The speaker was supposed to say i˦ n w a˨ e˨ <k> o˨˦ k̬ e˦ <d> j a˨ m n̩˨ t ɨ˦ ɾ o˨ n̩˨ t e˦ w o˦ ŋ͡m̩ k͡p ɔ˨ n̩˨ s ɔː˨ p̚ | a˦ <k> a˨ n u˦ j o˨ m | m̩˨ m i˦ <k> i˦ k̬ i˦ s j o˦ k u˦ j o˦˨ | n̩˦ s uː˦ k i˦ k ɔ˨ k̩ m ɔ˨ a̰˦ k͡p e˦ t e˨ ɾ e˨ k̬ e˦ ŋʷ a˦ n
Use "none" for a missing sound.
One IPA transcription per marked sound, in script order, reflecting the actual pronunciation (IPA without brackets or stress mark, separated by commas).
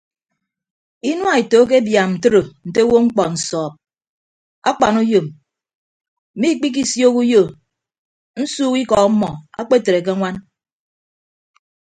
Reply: t, b, k͡p, k͡p